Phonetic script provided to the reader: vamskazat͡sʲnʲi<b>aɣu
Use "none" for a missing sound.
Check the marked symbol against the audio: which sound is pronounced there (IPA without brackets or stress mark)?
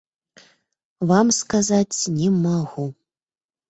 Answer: m